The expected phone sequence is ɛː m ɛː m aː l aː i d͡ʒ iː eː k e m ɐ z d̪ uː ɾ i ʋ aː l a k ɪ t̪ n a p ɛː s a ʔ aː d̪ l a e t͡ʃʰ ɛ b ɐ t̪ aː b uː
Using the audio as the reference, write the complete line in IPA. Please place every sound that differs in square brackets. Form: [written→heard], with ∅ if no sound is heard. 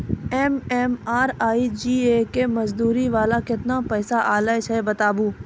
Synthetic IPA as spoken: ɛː m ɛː m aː [l→ɾ] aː i d͡ʒ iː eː k e m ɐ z d̪ uː ɾ i ʋ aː l a k ɪ t̪ n a p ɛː s a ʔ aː [d̪→∅] l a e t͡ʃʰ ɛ b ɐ t̪ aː b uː